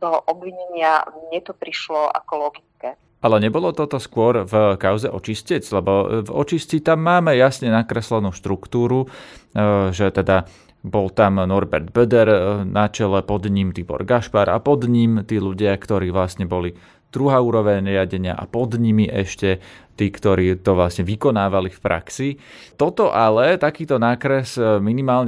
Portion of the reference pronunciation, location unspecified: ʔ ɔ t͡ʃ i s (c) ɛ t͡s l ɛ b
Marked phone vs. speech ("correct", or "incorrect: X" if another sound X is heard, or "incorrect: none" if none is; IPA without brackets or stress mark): correct